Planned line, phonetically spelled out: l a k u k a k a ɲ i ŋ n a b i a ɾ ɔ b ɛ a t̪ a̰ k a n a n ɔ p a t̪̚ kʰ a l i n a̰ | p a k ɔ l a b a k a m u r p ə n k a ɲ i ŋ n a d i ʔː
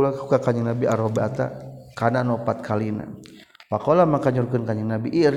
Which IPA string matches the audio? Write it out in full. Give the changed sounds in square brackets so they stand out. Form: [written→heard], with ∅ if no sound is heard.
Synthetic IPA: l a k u k a k a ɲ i ŋ n a b i a ɾ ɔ b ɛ a t̪ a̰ k a n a n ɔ p a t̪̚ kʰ a l i n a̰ | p a k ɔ l a [b→m] a k a [m→ɲ] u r [p→k] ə n k a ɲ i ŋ n a [d→b] i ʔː